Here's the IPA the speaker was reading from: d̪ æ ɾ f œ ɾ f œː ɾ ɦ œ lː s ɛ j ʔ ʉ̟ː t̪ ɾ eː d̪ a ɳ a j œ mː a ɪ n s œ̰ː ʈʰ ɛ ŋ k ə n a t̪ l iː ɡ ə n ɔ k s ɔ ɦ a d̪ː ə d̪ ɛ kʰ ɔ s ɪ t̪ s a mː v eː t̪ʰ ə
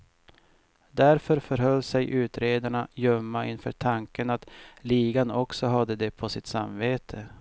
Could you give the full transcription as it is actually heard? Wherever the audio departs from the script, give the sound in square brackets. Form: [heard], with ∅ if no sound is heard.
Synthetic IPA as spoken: d̪ æ ɾ f œ ɾ f [œ] ɾ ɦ œ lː s ɛ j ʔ ʉ̟ː t̪ ɾ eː d̪ a ɳ a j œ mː a ɪ n [f] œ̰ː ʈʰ [a] ŋ k ə n a t̪ l iː ɡ [a] n ɔ k s ɔ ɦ a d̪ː ə d̪ ɛ [pʰ] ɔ s ɪ t̪ s a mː v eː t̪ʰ ə